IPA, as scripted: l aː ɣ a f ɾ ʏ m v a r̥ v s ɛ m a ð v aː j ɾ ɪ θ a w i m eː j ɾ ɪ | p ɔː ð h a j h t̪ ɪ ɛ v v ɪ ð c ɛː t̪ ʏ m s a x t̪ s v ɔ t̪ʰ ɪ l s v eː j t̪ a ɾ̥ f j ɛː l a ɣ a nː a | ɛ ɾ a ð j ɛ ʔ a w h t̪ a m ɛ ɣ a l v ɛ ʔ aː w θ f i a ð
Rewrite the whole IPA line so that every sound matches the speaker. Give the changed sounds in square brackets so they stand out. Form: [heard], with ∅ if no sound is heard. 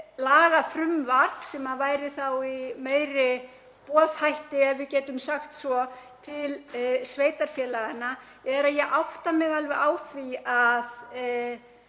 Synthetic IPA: l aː ɣ a f ɾ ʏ m v a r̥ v s ɛ m a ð v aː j ɾ ɪ θ a w i m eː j ɾ ɪ | p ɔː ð h a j h t̪ ɪ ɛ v v ɪ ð c ɛː t̪ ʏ m s a x t̪ s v ɔ t̪ʰ ɪ l s v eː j t̪ a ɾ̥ f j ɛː l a ɣ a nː a | ɛ ɾ a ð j ɛ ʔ a w h t̪ a m ɛ ɣ a l v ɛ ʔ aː w θ [v] i a ð

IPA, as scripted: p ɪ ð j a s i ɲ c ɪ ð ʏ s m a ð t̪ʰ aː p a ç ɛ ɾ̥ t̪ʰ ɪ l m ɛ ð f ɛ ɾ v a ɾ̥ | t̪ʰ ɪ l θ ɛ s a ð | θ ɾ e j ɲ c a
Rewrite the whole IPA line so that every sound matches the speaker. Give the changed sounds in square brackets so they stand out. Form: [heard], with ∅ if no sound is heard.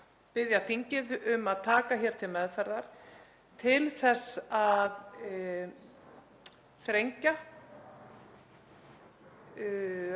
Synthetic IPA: p ɪ ð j a [θ] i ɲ c ɪ ð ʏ [∅] m a ð t̪ʰ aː [k] a ç ɛ ɾ̥ t̪ʰ ɪ l m ɛ ð f ɛ ɾ [ð] a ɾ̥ | t̪ʰ ɪ l θ ɛ s a ð | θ ɾ e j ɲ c a

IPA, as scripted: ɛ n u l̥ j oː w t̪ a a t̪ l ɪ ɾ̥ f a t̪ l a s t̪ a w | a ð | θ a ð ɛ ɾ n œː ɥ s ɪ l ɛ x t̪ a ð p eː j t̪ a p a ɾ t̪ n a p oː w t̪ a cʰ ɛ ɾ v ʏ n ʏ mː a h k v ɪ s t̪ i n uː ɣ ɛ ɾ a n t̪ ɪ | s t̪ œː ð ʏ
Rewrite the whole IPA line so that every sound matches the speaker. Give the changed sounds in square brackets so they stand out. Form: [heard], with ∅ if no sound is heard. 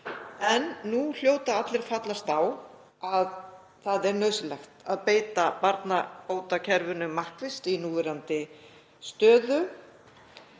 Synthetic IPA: ɛ [nː] u l̥ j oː w t̪ a a t̪ l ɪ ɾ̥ f a t̪ l a s t̪ a w | a ð | θ a ð ɛ ɾ n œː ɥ s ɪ l ɛ x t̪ a ð p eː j t̪ a p a ɾ t̪ n a p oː w t̪ a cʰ ɛ ɾ v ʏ n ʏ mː a h k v ɪ s t̪ i n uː [v] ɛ ɾ a n t̪ ɪ | s t̪ œː ð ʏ

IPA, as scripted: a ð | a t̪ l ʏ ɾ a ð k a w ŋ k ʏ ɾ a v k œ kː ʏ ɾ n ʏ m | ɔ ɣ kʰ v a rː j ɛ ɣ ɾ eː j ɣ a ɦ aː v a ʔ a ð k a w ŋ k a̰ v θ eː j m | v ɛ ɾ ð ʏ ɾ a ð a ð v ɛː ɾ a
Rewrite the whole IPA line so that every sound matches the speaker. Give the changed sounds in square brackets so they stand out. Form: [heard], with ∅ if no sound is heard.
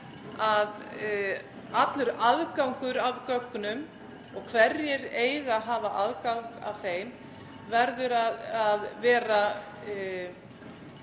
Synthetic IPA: a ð | a t̪ l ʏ ɾ a ð k a w ŋ k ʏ ɾ a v k œ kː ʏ [∅] n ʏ m | ɔ ɣ kʰ v [ɛ] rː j ɛ [∅] ɾ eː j ɣ a ɦ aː v a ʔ a ð k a w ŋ k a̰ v θ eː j m | v ɛ ɾ ð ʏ ɾ a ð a ð v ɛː ɾ a

